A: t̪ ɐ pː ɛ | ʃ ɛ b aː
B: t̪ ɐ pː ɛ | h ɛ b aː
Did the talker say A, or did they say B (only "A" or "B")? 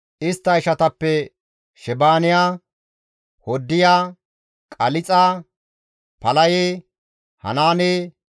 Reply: A